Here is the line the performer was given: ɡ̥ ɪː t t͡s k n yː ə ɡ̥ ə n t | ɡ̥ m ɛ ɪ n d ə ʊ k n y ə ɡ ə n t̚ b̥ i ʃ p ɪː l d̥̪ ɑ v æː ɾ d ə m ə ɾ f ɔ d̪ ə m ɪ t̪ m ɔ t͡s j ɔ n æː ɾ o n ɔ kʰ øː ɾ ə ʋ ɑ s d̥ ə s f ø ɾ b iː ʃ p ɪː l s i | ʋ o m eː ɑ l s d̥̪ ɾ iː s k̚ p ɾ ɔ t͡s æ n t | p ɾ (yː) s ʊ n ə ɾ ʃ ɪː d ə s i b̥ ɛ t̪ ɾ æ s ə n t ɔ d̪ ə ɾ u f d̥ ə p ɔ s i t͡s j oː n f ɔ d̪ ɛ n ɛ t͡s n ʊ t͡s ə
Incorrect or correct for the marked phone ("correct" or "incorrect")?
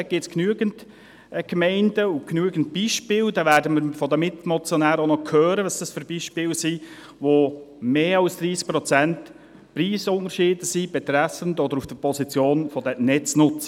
incorrect